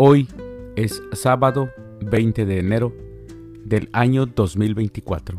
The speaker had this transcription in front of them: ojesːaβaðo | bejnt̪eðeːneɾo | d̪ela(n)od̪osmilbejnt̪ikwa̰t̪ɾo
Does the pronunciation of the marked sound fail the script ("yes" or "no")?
yes